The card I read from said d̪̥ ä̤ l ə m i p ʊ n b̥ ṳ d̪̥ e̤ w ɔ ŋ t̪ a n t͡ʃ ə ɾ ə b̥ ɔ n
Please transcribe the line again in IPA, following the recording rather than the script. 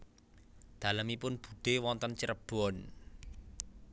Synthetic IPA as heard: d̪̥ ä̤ l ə m i p ʊ n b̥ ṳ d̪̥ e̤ w ɔ n t̪ ə n t͡ʃ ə ɾ ə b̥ ɔ n